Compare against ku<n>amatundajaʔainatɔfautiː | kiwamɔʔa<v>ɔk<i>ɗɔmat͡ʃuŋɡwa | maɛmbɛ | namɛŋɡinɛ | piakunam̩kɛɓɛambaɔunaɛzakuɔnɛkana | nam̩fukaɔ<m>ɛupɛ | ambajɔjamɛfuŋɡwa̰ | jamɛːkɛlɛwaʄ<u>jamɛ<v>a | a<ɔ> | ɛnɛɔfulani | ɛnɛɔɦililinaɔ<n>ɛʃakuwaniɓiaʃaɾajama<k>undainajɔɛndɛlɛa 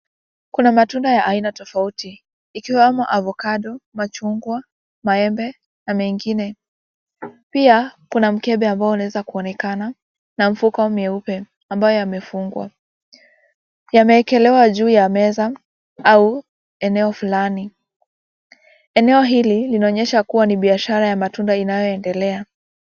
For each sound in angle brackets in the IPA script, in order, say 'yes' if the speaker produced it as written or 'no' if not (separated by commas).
yes, yes, no, yes, no, no, no, no, no